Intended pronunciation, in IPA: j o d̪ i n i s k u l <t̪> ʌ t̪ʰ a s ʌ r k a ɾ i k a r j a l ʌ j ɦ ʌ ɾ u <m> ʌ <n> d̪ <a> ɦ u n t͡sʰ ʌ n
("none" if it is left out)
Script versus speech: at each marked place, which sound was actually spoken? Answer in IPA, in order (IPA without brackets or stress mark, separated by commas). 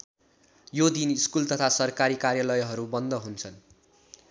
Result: t̪, b, n, ʌ